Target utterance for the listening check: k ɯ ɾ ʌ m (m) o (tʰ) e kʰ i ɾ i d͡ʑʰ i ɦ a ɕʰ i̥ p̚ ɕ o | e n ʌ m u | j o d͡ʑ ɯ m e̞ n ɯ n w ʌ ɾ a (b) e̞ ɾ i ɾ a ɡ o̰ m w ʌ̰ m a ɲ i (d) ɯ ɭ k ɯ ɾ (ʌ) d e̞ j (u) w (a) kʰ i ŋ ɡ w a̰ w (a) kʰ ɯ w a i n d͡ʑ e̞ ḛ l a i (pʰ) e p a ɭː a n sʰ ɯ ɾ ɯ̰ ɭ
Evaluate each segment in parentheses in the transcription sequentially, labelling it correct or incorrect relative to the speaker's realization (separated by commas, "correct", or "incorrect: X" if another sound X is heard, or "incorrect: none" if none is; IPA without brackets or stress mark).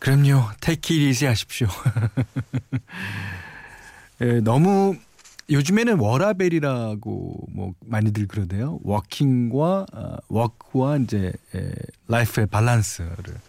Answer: incorrect: ɲ, correct, correct, correct, correct, incorrect: o, incorrect: ʌ, incorrect: ʌ, correct